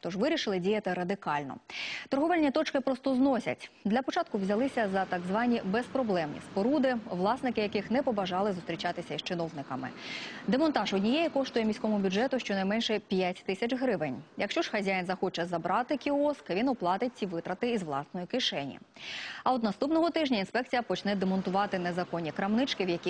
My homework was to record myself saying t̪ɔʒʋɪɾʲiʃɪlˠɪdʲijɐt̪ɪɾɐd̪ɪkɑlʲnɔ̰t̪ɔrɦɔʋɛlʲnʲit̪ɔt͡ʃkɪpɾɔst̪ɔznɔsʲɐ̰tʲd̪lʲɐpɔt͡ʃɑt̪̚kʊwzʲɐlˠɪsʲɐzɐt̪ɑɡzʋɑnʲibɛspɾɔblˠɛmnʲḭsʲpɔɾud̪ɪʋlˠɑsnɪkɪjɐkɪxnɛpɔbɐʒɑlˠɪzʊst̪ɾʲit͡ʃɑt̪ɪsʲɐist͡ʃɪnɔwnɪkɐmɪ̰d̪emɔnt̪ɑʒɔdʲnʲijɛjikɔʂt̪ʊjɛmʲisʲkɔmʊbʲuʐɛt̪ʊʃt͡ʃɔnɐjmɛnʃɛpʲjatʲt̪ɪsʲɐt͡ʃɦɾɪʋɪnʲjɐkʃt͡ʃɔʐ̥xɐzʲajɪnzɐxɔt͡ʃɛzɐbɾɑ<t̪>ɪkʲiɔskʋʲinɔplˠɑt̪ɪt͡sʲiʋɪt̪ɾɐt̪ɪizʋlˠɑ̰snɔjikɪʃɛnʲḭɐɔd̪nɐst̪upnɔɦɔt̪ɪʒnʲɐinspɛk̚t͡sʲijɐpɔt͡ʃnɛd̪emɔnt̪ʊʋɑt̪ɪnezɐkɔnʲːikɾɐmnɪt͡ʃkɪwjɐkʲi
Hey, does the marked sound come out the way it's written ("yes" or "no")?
yes